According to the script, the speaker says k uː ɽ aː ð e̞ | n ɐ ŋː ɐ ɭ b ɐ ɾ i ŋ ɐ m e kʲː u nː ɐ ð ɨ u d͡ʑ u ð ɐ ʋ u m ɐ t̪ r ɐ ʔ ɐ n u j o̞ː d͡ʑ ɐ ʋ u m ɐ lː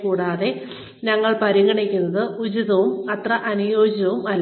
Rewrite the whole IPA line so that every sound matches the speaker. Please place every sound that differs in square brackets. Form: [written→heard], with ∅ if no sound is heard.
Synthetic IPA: k uː ɽ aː ð e̞ | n ɐ ŋː ɐ ɭ [b→p] ɐ ɾ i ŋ ɐ [m→ɳ] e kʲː u nː ɐ ð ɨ u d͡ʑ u ð ɐ ʋ u m ɐ t̪ r ɐ ʔ ɐ n u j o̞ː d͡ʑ ɐ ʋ u m ɐ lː